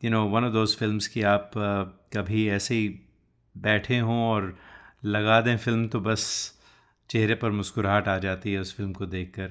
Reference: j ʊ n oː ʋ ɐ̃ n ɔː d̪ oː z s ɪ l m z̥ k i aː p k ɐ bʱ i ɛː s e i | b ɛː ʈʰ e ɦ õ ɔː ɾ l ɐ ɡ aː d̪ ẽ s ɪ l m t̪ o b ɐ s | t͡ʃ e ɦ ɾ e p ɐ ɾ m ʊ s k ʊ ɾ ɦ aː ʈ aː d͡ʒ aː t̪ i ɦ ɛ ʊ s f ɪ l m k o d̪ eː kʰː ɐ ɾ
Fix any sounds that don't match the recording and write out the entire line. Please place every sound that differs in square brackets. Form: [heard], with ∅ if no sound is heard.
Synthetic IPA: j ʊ n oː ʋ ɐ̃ n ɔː d̪ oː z [f] ɪ l m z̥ k i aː p k ɐ bʱ i ɛː s e i | b ɛː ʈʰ e ɦ õ ɔː ɾ l ɐ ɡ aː d̪ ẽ [f] ɪ l m t̪ o b ɐ s | t͡ʃ e ɦ ɾ e p ɐ ɾ m ʊ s k ʊ ɾ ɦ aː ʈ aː d͡ʒ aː t̪ i ɦ ɛ ʊ s f ɪ l m k o d̪ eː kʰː ɐ ɾ